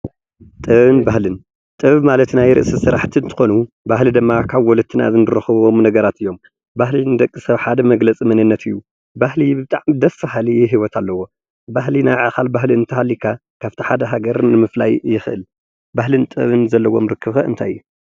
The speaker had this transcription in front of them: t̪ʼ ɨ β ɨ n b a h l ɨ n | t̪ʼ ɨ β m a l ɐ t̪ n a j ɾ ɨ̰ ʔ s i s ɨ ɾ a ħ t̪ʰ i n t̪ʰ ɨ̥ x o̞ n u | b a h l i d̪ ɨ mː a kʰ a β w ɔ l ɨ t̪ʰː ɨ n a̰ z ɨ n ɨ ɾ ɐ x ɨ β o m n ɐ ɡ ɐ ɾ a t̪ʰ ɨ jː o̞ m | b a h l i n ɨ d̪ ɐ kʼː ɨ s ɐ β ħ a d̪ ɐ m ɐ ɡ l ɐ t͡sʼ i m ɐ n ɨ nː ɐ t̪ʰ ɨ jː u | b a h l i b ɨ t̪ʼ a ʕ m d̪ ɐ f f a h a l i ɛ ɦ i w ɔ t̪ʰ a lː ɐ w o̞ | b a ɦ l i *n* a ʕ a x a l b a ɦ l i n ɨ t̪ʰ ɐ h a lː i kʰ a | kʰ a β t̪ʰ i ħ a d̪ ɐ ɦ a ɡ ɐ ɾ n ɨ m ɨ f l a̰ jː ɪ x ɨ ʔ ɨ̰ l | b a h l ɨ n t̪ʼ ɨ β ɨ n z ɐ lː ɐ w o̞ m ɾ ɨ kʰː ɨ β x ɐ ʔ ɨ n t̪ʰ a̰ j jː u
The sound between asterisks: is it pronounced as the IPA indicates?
yes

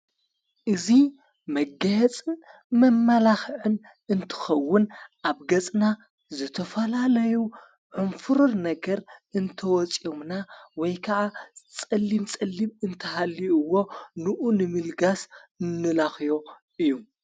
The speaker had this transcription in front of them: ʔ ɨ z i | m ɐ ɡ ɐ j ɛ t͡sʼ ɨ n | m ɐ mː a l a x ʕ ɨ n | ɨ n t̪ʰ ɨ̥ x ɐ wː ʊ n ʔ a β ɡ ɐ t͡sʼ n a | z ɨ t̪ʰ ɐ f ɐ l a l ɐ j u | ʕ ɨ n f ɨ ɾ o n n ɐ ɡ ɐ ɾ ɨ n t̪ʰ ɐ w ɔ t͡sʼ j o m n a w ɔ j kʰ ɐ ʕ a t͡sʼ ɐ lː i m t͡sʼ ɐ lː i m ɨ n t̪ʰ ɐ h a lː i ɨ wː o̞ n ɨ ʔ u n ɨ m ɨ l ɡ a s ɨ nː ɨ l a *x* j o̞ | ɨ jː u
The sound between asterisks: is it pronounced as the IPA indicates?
yes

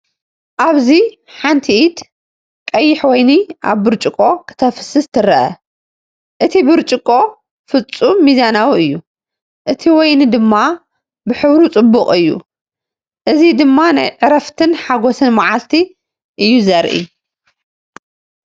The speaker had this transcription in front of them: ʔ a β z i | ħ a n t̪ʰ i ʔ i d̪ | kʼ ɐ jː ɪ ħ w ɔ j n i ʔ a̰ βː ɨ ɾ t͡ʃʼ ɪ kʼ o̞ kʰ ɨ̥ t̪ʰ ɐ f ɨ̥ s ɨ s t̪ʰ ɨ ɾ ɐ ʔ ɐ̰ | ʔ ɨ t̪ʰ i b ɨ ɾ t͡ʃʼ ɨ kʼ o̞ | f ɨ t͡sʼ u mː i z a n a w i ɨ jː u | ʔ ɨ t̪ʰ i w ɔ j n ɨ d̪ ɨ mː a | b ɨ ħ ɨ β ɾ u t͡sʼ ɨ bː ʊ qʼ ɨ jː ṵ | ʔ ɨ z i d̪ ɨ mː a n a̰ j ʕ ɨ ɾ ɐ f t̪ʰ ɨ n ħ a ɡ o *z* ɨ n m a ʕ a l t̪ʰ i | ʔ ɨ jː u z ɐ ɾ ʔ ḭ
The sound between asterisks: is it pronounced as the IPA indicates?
no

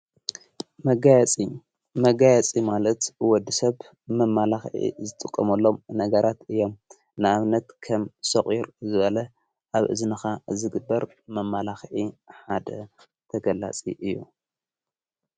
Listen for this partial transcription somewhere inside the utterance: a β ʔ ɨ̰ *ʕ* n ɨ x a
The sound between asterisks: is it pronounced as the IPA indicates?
no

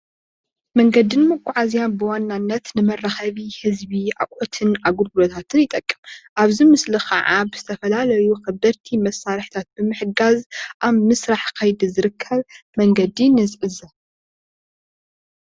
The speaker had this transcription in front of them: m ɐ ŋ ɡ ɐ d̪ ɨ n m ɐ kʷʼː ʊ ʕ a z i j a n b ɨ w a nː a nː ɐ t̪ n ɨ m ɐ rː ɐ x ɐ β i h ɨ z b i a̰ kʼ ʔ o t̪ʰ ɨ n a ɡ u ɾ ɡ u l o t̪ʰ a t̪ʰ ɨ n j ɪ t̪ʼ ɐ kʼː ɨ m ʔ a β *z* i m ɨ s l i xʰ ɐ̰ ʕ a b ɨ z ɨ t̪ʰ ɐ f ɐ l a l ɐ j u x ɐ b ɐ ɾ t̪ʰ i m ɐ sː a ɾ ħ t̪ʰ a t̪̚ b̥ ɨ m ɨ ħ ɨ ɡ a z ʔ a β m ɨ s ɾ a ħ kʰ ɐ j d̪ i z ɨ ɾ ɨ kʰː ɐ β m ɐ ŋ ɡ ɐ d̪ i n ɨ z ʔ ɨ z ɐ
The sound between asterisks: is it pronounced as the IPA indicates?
yes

